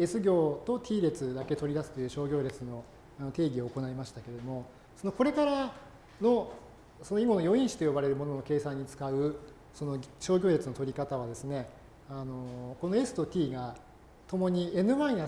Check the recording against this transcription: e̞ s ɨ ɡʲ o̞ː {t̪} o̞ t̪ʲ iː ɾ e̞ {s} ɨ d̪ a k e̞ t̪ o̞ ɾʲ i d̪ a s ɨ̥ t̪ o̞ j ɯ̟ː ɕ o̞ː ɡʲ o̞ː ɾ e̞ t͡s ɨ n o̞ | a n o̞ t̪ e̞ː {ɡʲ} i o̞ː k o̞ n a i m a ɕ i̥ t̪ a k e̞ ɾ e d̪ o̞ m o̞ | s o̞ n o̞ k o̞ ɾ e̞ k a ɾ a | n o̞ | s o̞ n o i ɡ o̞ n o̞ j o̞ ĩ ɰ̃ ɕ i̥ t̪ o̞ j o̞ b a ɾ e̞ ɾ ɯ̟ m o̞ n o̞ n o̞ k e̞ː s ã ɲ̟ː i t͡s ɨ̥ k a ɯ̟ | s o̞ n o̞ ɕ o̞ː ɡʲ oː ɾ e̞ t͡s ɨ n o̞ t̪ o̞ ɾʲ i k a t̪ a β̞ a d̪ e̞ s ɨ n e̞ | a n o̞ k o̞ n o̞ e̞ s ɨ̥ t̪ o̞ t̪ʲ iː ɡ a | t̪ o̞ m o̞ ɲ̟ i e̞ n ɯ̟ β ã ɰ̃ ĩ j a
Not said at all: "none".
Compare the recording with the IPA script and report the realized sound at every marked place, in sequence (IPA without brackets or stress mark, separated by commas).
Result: t̪, t͡s, ɡʲ